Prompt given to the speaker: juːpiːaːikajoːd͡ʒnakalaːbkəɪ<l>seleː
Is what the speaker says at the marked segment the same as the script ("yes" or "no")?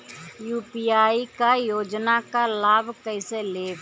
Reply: no